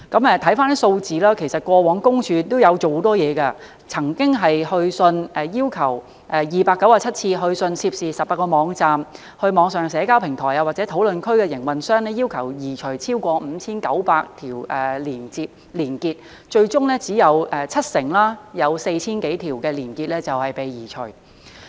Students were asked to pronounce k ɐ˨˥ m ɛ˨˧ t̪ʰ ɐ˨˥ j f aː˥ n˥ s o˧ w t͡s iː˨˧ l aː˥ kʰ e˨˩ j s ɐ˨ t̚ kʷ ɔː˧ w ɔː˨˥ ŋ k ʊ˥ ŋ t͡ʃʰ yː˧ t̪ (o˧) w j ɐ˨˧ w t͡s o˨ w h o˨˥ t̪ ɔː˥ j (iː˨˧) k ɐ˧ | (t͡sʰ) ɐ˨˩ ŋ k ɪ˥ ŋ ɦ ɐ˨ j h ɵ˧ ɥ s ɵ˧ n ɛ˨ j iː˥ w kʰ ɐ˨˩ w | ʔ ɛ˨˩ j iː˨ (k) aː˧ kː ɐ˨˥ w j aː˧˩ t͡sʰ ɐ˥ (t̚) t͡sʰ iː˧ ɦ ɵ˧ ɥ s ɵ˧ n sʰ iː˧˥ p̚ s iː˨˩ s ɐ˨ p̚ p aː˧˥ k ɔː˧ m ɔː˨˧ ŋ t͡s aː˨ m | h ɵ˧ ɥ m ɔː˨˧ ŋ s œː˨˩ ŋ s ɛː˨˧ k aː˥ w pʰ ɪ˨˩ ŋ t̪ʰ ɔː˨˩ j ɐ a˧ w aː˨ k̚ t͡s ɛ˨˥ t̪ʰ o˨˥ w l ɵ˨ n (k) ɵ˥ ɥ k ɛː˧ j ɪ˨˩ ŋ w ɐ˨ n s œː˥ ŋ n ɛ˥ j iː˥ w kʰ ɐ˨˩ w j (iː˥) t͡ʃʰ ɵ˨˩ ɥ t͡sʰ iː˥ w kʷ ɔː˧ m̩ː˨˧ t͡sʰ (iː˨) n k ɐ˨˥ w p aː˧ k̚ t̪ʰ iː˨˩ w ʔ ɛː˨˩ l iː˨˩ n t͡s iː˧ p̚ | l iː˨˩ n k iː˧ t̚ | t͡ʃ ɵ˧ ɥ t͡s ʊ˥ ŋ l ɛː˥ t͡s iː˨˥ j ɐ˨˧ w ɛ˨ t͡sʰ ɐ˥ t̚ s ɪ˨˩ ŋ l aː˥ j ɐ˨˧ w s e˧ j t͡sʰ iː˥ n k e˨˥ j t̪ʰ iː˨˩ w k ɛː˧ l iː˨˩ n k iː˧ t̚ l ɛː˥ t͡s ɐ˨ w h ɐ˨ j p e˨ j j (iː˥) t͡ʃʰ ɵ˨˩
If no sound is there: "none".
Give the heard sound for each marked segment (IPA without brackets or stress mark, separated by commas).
o˥, ɛː˨˧, t͡sʰ, p, t̚, kʰ, iː˨˩, iː˥, iː˨˩